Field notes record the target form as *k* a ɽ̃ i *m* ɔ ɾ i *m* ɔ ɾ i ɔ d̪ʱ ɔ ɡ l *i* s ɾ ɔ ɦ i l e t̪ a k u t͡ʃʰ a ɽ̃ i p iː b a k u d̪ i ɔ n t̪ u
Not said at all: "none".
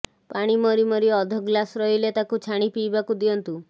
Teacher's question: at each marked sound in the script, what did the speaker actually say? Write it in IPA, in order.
p, m, m, a

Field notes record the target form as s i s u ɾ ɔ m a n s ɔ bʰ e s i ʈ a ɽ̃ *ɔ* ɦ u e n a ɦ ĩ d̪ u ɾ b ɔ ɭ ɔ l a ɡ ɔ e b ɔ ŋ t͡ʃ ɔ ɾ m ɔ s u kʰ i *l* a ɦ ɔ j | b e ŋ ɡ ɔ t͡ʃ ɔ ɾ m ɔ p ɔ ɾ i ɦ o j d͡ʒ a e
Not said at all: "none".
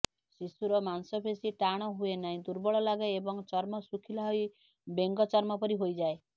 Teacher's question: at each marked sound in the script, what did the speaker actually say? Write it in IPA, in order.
ɔ, l

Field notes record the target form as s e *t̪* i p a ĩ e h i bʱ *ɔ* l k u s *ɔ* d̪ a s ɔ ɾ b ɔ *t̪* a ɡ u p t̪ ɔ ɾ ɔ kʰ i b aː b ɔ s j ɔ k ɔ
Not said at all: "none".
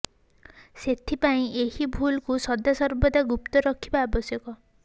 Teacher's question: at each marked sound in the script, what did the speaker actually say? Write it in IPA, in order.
t̪ʰ, u, ɔ, d̪

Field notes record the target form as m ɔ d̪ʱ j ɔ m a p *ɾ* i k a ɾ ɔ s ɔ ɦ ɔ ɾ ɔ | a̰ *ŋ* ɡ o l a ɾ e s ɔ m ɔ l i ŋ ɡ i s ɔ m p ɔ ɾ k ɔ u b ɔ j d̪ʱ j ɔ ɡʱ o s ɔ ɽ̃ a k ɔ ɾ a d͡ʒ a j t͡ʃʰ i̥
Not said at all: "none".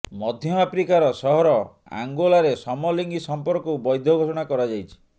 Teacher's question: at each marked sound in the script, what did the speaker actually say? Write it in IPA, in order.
ɾ, ŋ

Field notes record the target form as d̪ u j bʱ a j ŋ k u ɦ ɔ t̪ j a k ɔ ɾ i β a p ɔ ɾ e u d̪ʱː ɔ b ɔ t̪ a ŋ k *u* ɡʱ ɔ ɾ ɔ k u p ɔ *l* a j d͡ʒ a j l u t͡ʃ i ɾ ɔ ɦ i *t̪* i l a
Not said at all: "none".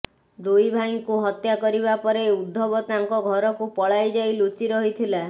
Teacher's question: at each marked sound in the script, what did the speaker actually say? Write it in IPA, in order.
ɔ, ɭ, t̪ʰ

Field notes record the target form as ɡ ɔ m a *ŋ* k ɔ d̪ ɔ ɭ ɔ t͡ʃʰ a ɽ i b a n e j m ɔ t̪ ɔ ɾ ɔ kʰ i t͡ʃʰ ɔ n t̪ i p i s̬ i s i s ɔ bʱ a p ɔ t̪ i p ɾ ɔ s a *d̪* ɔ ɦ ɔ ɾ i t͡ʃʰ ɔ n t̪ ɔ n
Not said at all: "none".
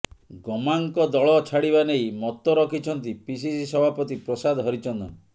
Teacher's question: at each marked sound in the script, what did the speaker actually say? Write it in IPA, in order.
ŋ, d̪

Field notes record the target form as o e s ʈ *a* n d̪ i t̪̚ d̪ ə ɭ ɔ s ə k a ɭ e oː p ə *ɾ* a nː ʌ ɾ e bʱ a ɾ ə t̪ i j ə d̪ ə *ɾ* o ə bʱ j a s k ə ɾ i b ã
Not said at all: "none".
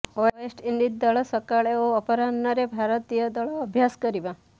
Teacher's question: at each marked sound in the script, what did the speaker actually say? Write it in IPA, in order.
i, ɾ, ɭ

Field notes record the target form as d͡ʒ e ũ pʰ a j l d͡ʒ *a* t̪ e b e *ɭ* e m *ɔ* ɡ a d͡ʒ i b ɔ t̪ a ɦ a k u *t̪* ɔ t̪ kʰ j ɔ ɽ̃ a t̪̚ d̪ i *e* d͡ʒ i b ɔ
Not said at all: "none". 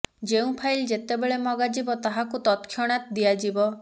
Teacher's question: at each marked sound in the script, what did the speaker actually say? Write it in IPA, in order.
e, ɭ, ɔ, t̪, a

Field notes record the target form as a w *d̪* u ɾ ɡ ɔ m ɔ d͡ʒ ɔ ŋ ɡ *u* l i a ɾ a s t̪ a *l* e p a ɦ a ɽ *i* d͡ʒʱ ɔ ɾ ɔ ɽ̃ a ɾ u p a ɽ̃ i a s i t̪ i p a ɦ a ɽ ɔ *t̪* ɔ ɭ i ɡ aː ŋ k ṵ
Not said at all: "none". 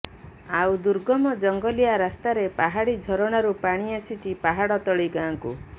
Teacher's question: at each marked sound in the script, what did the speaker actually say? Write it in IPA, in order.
d̪, ɔ, ɾ, i, t̪

